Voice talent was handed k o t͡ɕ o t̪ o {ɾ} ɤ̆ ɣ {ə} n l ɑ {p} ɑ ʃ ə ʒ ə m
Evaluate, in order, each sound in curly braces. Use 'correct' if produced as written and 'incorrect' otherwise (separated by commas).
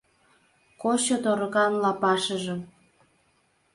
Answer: correct, incorrect, correct